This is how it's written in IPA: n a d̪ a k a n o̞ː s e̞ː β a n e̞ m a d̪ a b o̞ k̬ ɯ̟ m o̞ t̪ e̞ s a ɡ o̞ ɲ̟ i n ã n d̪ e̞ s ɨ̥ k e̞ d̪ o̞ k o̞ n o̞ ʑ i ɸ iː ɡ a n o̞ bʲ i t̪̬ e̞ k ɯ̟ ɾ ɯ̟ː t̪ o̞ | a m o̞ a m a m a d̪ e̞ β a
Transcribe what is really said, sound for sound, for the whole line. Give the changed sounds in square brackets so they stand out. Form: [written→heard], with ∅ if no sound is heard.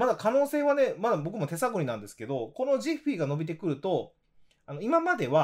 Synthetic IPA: [n→m] a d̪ a k a n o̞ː s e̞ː β a n e̞ m a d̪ a b o̞ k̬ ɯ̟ m o̞ t̪ e̞ s a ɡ o̞ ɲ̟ i n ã n d̪ e̞ s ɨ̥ k e̞ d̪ o̞ k o̞ n o̞ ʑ i ɸ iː ɡ a n o̞ bʲ i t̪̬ e̞ k ɯ̟ ɾ [ɯ̟ː→ɯ̟] t̪ o̞ | a [m→n] o̞ [a→i] m a m a d̪ e̞ β a